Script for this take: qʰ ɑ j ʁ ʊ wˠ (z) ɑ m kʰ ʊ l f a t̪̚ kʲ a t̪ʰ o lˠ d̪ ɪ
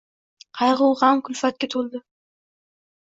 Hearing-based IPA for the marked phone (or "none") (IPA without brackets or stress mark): ʁ